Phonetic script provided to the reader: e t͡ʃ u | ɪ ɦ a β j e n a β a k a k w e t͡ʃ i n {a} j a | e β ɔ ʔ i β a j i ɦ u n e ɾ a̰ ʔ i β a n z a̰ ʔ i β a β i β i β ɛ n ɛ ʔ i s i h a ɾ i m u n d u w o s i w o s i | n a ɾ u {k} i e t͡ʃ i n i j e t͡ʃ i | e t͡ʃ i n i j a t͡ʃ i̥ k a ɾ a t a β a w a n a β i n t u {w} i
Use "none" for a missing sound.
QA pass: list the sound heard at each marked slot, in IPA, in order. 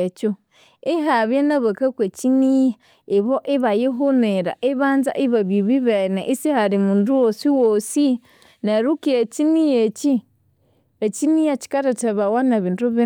i, k, β

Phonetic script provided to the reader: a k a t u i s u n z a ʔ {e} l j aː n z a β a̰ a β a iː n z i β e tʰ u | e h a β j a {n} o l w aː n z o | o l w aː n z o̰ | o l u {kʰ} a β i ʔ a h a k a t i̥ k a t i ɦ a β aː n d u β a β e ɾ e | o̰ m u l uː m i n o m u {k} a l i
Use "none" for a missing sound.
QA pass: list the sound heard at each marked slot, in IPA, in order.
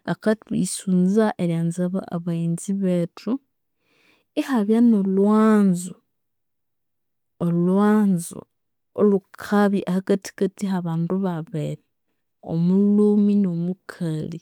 e, n, kʰ, kʰ

